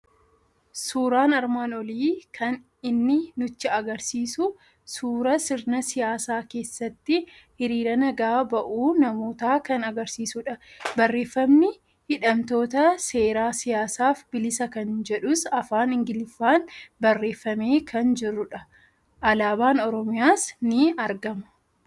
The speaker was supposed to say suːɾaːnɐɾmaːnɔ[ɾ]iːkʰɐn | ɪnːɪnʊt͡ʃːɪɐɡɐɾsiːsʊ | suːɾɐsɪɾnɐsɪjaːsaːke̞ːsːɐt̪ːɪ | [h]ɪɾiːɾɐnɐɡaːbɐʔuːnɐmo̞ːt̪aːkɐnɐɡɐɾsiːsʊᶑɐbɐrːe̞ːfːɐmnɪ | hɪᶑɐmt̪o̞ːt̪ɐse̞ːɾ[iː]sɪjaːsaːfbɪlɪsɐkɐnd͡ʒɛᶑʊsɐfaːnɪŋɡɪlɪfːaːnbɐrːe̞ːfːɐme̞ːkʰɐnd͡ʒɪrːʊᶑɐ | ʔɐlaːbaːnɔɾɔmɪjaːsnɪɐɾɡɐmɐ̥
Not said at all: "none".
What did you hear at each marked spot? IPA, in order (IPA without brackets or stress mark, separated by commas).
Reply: l, h, aː